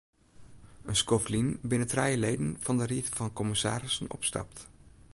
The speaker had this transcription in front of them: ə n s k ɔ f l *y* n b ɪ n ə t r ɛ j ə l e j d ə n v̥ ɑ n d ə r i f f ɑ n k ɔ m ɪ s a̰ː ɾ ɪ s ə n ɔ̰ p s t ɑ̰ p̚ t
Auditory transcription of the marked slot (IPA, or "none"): i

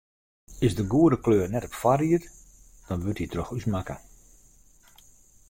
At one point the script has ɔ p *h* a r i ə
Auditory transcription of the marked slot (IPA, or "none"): f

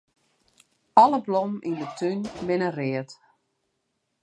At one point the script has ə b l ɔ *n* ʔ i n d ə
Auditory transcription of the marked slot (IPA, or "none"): m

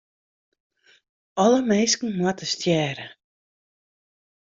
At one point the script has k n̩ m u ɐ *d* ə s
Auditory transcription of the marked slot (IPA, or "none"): t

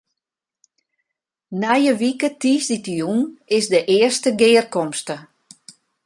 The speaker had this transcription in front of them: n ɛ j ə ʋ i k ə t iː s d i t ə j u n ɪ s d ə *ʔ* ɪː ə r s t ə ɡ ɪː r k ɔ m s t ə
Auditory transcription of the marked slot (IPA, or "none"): ʔ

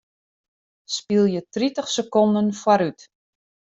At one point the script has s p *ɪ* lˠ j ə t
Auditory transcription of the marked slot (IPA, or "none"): i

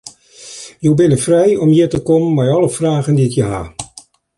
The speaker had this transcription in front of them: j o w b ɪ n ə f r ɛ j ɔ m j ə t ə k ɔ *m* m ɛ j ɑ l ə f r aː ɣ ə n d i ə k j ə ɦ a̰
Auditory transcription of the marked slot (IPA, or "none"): m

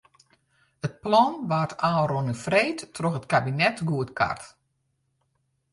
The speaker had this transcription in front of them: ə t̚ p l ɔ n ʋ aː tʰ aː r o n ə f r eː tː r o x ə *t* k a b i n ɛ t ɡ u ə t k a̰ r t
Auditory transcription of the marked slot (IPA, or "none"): t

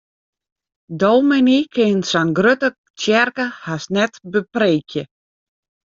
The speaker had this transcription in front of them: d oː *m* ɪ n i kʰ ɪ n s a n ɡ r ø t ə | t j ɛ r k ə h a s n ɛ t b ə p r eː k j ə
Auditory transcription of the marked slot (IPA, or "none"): m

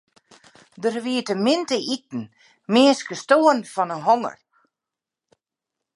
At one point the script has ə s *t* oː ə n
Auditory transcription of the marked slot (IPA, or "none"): t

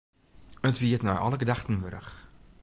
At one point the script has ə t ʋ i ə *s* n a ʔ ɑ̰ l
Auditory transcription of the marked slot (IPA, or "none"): t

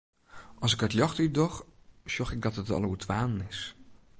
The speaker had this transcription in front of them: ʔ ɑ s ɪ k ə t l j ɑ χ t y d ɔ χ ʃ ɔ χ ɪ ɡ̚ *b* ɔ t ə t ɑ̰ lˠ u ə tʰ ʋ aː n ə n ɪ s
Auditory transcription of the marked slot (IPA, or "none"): d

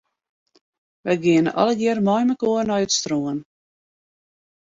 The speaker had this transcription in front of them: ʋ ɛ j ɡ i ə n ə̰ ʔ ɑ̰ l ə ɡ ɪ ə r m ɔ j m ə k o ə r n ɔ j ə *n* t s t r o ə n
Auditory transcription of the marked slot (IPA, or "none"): none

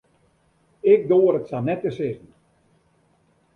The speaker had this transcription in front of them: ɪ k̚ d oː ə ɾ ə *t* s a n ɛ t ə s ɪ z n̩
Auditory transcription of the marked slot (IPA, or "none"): t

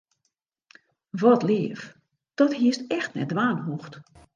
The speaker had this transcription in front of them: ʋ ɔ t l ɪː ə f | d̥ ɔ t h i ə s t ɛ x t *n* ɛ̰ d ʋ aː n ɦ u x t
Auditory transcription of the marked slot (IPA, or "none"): n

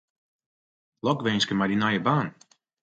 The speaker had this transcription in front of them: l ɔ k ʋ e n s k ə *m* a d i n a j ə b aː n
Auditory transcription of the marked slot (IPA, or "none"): m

